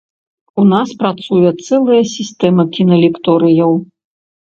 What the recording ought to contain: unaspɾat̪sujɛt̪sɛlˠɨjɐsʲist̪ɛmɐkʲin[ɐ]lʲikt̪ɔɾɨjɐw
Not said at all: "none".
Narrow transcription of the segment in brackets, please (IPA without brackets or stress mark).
ɐ